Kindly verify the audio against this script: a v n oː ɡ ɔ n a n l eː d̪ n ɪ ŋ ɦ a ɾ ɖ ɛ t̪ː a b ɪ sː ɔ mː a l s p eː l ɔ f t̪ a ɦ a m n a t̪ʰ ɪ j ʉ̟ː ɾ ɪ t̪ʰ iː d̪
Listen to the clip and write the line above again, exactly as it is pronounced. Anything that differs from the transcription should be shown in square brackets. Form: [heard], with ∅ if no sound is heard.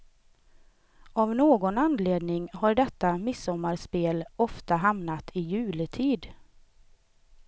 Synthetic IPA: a v n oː ɡ ɔ n a n l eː d̪ n ɪ ŋ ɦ a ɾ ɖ ɛ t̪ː a [m] ɪ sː ɔ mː a [ɾ] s p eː l ɔ f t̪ a ɦ a m n a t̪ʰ ɪ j ʉ̟ː [l] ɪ t̪ʰ iː d̪